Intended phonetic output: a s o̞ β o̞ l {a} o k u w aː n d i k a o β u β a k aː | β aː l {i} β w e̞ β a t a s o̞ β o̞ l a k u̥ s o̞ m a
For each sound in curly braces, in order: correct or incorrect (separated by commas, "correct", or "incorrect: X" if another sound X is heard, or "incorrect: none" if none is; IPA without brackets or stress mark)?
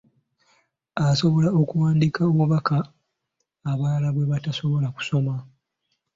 correct, incorrect: a